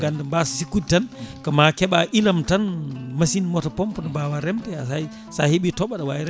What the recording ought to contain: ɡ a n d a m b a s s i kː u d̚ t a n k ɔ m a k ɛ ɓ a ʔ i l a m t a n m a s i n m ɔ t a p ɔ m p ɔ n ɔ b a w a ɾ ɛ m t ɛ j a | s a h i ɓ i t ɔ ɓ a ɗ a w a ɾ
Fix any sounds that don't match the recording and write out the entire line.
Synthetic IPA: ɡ a n d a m b a s s i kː u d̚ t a n k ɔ m a k ɛ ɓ a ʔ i l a m t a n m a s i n m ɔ t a p ɔ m p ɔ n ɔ b a w a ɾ ɛ m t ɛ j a | s a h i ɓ i t ɔ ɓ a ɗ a w a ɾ